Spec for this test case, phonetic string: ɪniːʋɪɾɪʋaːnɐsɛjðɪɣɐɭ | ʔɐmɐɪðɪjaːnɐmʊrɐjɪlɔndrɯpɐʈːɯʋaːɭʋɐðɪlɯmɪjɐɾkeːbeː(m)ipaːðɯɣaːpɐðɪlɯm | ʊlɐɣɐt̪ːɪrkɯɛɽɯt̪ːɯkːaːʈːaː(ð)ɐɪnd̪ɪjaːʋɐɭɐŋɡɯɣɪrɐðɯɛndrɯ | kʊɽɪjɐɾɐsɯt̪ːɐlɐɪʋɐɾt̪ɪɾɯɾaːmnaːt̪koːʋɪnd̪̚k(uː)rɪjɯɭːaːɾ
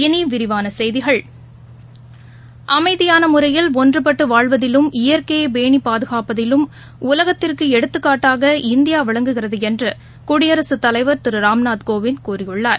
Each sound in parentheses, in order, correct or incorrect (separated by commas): incorrect, incorrect, correct